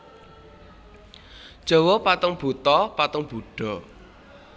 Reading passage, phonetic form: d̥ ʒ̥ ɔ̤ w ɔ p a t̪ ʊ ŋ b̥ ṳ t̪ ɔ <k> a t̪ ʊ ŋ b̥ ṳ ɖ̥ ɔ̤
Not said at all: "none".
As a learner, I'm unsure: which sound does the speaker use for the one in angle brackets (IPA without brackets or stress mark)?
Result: p